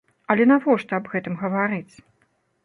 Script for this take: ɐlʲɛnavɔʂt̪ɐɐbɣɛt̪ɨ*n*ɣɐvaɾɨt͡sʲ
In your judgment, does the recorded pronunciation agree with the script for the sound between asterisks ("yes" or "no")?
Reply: no